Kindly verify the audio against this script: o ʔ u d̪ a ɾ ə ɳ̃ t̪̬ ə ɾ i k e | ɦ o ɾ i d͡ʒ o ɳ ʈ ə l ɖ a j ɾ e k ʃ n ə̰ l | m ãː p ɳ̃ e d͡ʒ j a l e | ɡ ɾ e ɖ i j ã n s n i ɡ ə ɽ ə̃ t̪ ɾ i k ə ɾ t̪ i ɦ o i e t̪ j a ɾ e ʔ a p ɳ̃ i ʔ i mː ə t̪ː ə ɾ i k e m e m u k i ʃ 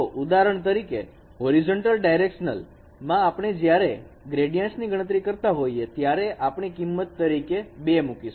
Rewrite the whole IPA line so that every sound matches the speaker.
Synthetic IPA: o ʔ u d̪ a ɾ ə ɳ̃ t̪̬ ə ɾ i k e | ɦ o ɾ i d͡ʒ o ɳ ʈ ə l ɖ a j ɾ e k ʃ n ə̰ l | m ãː p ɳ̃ e d͡ʒ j a ɾ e | ɡ ɾ e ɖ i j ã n s n i ɡ ə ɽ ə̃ t̪ ɾ i k ə ɾ t̪ a ɦ o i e t̪ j a ɾ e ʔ a p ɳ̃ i k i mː ə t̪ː ə ɾ i k e b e m u k i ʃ

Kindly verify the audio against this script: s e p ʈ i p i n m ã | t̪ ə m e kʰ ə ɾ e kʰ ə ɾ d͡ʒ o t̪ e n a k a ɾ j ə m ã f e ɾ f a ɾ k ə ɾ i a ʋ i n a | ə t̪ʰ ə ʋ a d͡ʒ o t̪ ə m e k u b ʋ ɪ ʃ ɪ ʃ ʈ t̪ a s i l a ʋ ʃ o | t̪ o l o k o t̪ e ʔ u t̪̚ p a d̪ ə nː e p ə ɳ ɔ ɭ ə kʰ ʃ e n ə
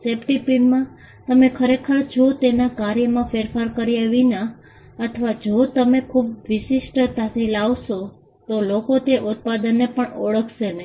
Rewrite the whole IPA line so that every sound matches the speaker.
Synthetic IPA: s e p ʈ i p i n m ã | t̪ ə m e kʰ ə ɾ e kʰ ə ɾ d͡ʒ o t̪ e n a k a ɾ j ə m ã f e ɾ f a ɾ k ə ɾ i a ʋ i n a | ə t̪ʰ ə ʋ a d͡ʒ o t̪ ə m e kʰ u b ʋ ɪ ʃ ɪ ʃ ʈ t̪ a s i l a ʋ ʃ o | t̪ o l o k o t̪ e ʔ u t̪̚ p a d̪ ə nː e p ə ɳ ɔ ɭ ə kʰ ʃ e n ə

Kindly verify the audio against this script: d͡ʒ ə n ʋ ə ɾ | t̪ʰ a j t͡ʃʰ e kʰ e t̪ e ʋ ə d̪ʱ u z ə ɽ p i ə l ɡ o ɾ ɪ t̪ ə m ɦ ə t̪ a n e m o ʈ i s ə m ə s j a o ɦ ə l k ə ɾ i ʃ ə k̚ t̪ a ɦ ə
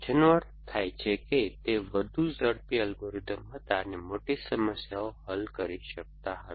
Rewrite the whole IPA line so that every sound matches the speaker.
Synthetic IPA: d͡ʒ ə n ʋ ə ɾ | t̪ʰ a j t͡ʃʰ e k e t̪ e ʋ ə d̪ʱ u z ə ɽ p i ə l ɡ o ɾ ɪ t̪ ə m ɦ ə t̪ a n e m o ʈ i s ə m ə s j a o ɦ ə l k ə ɾ i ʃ ə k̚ t̪ a ɦ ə

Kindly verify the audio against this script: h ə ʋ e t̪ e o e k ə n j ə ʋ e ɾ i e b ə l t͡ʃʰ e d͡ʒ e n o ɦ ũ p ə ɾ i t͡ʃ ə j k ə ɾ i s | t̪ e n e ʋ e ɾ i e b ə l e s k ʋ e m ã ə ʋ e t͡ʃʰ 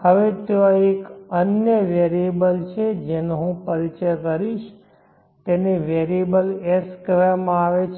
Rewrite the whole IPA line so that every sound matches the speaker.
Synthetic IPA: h ə ʋ e t̪ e o e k ə n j ə ʋ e ɾ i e b ə l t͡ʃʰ e d͡ʒ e n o ɦ ũ p ə ɾ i t͡ʃ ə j k ə ɾ i ʃ | t̪ e n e ʋ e ɾ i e b ə l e s k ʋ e m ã a ʋ e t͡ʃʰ

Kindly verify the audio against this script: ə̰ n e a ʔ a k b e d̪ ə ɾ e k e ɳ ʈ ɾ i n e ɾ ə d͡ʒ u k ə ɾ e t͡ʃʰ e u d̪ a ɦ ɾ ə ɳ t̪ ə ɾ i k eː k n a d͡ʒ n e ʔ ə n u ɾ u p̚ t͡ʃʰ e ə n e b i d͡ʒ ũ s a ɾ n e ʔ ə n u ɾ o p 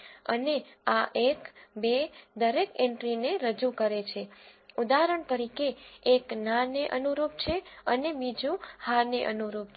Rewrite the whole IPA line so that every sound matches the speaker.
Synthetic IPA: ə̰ n e a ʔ e k b e d̪ ə ɾ e k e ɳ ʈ ɾ i n e ɾ ə d͡ʒ u k ə ɾ e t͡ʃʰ e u d̪ a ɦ ɾ ə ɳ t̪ ə ɾ i k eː k n a n e ʔ ə n u ɾ u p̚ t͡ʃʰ e ə n e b i d͡ʒ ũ h a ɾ n e ʔ ə n u ɾ u p

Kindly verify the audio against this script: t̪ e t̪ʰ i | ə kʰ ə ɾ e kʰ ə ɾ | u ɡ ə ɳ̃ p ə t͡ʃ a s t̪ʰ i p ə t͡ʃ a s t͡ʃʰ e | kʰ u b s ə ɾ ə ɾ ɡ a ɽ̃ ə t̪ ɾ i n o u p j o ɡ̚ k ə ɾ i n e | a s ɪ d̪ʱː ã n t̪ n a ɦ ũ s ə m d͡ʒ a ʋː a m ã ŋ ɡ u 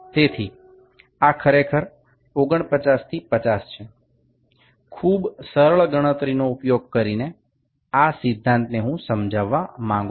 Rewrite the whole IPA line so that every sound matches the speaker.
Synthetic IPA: t̪ e t̪ʰ i | a kʰ ə ɾ e kʰ ə ɾ | o ɡ ə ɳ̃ p ə t͡ʃ a s t̪ʰ i p ə t͡ʃ a s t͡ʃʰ e | kʰ u b s ə ɾ ə ɭ ɡ ə ɽ̃ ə t̪ ɾ i n o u p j o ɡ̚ k ə ɾ i n e | a s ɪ d̪ʱː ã n t̪ n e ɦ ũ s ə m d͡ʒ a ʋː a m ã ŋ ɡ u

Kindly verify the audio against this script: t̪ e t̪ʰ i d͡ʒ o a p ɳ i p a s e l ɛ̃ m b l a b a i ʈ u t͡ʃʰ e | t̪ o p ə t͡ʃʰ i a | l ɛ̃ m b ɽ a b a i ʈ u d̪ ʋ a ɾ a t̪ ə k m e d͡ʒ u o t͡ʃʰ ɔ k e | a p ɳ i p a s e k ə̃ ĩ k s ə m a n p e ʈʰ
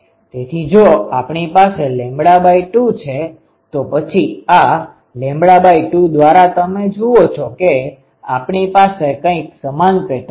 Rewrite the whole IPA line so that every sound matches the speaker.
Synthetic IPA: t̪ e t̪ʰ i d͡ʒ o a p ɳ i p a s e l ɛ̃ m b ɽ a b a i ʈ u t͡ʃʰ e | t̪ o p ə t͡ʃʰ i a | l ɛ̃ m b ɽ a b a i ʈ u d̪ ʋ a ɾ a t̪ ə m e d͡ʒ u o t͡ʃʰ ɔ k e | a p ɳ i p a s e k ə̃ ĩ k s ə m a n p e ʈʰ

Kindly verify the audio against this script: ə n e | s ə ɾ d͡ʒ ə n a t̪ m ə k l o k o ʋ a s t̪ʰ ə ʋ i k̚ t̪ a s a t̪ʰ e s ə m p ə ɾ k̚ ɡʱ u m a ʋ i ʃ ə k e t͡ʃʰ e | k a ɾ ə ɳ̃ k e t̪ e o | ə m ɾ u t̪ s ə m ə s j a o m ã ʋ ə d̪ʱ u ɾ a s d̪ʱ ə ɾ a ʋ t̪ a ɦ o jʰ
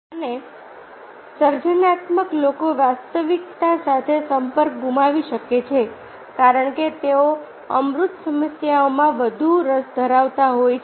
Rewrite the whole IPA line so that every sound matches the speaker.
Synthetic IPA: ə n e | s ə ɾ d͡ʒ ə n a t̪ m ə k l o k o ʋ a s t̪ ə ʋ i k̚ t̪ a s a t̪ʰ e s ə m p ə ɾ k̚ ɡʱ u m a ʋ i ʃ ə k e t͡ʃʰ e | k a ɾ ə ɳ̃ k e t̪ e o | ə m ɾ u t̪ s ə m ə s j a o m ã ʋ ə d̪ʱ u ɾ ə s d̪ʱ ə ɾ a ʋ t̪ a ɦ o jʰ

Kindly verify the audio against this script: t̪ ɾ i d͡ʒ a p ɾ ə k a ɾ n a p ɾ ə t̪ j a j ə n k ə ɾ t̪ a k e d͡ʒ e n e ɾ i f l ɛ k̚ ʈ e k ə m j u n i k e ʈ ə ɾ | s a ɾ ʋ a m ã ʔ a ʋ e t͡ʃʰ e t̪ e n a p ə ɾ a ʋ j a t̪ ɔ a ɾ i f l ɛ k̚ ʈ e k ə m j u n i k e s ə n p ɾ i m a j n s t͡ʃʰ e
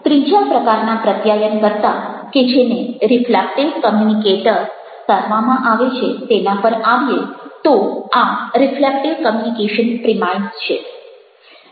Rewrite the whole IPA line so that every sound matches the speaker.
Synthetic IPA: t̪ ɾ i d͡ʒ a p ɾ ə k a ɾ n a p ɾ ə t̪ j a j ə n k ə ɾ t̪ a k e d͡ʒ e n e ɾ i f l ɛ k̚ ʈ e k ə m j u n i k e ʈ ə ɾ | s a ɾ ʋ a m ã ʔ a ʋ e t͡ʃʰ e t̪ e n a p ə ɾ a ʋ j e t̪ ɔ a ɾ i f l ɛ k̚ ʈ e k ə m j u n i k e ʃ ə n p ɾ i m a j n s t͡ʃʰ e

